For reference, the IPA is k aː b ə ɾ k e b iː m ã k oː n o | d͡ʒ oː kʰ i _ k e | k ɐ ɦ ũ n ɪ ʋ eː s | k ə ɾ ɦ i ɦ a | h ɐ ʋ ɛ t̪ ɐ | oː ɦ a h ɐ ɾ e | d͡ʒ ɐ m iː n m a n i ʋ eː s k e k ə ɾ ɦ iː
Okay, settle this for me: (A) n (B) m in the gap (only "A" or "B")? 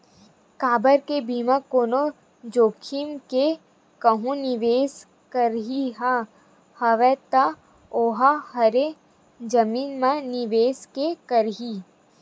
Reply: B